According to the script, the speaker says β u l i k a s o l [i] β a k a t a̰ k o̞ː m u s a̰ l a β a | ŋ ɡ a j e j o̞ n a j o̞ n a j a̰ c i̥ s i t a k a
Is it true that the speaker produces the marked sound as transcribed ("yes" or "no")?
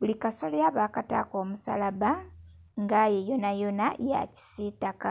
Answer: no